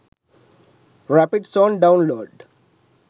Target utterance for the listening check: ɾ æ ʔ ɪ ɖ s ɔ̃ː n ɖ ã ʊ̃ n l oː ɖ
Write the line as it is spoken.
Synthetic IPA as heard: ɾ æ p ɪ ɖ s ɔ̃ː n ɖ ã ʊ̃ n l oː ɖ